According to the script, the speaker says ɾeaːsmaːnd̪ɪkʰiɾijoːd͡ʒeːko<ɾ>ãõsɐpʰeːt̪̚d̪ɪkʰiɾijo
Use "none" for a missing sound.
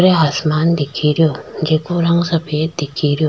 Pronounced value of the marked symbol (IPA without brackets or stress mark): ɾ